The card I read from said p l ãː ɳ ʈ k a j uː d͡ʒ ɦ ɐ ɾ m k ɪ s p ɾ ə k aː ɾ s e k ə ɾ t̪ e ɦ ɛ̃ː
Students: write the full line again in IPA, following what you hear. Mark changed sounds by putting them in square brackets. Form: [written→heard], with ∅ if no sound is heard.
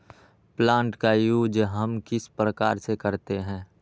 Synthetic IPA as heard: p l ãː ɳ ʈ k a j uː d͡ʒ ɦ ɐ [ɾ→∅] m k ɪ s p ɾ ə k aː ɾ s e k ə ɾ t̪ e ɦ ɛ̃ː